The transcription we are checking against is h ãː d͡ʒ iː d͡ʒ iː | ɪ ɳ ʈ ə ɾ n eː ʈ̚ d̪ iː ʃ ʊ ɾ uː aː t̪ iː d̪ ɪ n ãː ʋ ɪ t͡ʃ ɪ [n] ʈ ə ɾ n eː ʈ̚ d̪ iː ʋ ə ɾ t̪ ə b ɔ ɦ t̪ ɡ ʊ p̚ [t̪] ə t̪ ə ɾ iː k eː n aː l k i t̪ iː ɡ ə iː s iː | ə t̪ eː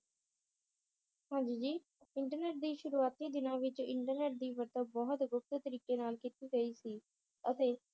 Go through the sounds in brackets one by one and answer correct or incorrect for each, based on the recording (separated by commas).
incorrect, correct